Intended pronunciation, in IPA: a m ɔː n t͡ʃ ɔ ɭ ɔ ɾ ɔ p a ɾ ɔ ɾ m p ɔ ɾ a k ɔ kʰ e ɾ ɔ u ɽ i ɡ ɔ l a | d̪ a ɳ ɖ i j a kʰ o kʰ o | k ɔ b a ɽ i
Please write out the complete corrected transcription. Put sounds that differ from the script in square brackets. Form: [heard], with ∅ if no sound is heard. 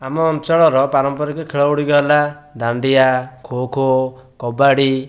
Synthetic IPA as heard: a m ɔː n t͡ʃ ɔ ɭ ɔ ɾ ɔ p a ɾ ɔ [∅] m p ɔ ɾ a k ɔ kʰ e [ɭ] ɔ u ɽ i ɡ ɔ l a | d̪ a ɳ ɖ i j a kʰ o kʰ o | k ɔ b a ɽ i